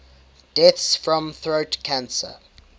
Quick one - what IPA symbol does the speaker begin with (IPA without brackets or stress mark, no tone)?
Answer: d̥